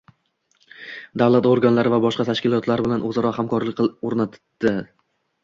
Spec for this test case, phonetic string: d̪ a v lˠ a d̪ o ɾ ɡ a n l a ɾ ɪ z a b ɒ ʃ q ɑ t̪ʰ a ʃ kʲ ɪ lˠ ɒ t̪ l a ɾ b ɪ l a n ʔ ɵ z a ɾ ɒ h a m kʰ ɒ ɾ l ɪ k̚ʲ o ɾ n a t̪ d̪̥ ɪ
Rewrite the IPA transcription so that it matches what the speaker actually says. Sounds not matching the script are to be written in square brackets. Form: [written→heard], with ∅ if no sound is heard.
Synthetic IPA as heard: d̪ a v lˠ a [d̪→t̪] o ɾ ɡ a n l a ɾ ɪ [z→v] a b ɒ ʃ q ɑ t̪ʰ a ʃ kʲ ɪ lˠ ɒ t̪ l a ɾ b ɪ l a n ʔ ɵ z a ɾ ɒ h a m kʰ ɒ ɾ l ɪ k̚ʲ o ɾ n a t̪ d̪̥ ɪ